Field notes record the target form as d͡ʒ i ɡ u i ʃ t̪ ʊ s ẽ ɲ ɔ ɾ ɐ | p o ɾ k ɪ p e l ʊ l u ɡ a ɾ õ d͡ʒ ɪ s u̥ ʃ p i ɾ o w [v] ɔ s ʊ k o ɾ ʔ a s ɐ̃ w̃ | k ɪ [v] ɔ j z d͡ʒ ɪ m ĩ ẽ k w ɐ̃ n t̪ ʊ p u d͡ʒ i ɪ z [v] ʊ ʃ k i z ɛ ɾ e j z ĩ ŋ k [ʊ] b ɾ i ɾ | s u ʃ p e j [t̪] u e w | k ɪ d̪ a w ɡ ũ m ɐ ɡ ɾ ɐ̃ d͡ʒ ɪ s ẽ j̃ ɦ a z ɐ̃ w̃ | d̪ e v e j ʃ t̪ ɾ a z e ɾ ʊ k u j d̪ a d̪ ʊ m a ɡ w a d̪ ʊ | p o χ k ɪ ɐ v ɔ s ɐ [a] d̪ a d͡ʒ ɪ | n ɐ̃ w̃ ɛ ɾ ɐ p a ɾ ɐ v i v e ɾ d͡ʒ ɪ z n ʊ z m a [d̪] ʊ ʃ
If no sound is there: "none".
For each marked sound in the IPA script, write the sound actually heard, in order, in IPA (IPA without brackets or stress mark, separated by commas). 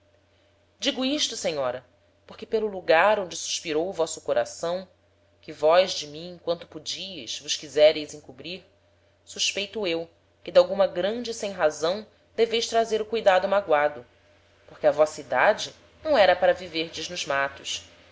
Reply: v, v, v, u, t̪, i, t̪